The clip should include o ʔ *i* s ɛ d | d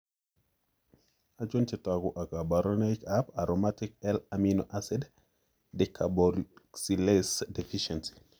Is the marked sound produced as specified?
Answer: no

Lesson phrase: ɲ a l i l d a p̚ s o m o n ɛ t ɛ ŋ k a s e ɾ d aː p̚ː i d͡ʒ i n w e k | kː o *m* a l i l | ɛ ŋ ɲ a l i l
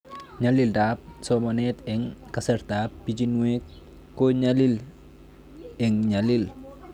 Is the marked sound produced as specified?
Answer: no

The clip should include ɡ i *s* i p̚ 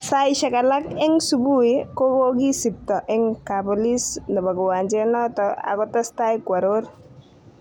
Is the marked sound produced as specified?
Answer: yes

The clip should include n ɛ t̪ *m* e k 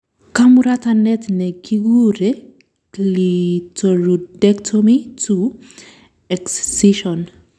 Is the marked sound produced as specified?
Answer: no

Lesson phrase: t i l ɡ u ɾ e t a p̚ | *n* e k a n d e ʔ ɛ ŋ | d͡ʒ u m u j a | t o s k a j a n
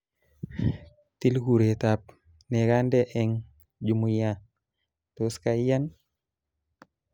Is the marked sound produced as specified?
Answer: yes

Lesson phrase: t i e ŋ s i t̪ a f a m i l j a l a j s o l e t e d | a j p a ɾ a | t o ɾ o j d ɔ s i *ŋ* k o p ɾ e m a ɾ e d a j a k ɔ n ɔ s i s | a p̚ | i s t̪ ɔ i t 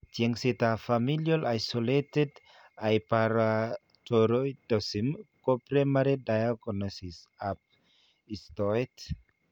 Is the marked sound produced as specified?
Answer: no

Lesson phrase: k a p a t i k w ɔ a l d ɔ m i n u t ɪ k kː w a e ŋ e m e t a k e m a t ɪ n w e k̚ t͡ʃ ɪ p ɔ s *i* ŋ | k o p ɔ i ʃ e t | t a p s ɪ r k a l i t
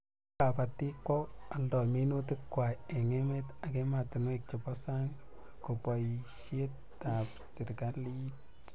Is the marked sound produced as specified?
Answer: no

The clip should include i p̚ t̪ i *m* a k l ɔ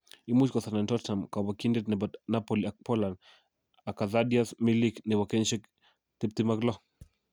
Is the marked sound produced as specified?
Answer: yes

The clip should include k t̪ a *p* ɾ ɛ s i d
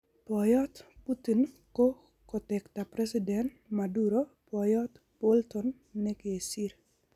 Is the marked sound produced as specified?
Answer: yes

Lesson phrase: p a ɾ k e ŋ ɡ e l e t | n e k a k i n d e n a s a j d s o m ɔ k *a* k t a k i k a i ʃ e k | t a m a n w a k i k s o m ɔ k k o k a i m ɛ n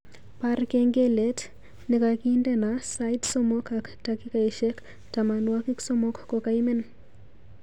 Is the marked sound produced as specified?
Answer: yes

